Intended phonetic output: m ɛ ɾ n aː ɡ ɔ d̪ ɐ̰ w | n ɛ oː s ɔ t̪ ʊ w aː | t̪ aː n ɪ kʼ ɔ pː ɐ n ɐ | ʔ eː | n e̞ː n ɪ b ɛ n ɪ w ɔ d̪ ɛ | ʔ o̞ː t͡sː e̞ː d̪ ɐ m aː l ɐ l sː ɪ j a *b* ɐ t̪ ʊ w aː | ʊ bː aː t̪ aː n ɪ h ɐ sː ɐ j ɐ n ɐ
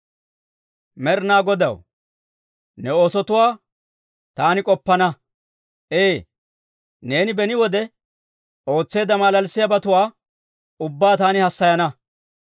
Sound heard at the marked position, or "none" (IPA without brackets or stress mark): b